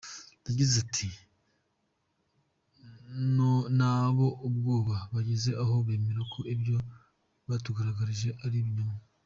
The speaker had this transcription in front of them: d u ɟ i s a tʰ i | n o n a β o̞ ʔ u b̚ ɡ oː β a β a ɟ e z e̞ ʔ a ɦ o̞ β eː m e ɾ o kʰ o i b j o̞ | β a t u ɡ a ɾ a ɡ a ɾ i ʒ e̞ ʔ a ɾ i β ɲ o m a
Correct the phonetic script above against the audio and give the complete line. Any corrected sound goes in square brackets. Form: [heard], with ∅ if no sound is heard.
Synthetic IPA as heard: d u ɟ i [z] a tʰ i | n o n a β o̞ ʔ u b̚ ɡ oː β a β a ɟ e z e̞ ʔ a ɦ o̞ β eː m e ɾ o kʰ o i b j o̞ | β a t u ɡ a ɾ a ɡ a ɾ i ʒ e̞ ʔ a ɾ i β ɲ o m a